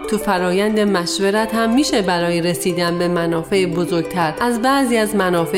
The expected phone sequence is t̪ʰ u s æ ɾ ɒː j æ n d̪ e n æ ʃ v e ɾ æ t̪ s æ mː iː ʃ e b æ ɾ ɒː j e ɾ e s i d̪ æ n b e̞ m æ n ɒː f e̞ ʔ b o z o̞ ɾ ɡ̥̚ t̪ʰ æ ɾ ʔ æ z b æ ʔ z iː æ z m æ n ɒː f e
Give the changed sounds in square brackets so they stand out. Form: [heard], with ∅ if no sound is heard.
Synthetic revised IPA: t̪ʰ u [f] æ ɾ ɒː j æ n d̪ e [m] æ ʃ v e ɾ æ t̪ [h] æ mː iː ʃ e b æ ɾ ɒː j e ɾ e s [iː] d̪ æ n b e̞ m æ n ɒː f e̞ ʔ b o z o̞ ɾ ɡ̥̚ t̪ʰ æ ɾ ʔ æ z b æ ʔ z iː æ z m æ n ɒː f e